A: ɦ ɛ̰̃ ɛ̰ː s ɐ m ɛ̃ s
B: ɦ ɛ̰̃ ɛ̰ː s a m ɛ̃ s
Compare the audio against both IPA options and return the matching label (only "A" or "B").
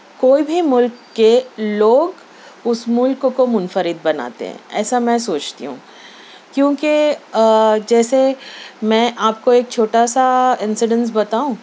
B